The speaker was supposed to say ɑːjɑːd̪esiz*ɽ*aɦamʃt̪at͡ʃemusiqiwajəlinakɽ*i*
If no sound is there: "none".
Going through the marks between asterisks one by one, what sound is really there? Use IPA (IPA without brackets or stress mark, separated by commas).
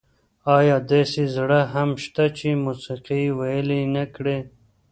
ɽ, e